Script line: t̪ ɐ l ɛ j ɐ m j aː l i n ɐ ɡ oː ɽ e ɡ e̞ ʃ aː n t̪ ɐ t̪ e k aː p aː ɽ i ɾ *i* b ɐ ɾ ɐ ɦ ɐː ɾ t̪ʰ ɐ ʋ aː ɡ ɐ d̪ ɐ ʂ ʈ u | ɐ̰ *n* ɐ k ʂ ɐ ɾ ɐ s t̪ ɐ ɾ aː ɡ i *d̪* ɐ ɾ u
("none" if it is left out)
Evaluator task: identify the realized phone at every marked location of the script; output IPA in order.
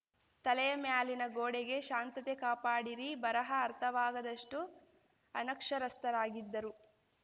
i, n, d̪ː

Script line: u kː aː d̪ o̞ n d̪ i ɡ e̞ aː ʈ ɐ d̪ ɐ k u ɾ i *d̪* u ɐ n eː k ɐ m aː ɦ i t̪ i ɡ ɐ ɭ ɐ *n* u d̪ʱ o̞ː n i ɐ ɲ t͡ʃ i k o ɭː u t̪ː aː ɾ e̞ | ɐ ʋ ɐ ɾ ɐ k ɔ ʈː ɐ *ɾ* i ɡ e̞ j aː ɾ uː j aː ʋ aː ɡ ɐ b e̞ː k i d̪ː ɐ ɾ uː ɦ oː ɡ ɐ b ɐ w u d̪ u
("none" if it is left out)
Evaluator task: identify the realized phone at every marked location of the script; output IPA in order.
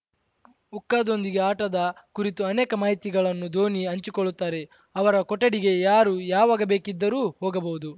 t̪, nː, ɽ

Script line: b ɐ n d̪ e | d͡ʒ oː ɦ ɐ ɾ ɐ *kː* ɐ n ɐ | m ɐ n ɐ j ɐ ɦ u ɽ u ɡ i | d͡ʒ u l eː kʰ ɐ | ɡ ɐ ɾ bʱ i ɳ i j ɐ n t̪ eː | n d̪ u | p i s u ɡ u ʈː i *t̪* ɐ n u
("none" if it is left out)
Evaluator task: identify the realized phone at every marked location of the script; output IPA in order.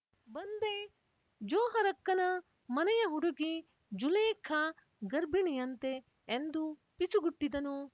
kː, d̪

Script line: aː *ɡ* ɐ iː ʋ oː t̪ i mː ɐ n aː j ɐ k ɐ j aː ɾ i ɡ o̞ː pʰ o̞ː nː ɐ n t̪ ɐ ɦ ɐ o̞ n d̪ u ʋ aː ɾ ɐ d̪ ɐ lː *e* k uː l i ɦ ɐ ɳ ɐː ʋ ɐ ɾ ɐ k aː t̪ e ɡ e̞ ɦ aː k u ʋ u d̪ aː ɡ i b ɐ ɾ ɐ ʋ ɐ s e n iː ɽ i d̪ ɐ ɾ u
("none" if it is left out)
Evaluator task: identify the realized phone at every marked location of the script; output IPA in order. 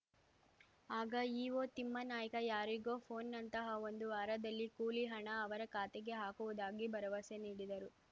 ɡ, i

